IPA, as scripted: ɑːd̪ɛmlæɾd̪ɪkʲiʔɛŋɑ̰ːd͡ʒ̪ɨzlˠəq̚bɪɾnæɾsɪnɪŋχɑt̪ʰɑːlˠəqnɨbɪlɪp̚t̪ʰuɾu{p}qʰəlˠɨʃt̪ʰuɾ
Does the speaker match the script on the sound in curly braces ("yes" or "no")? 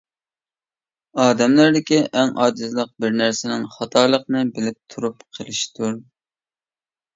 yes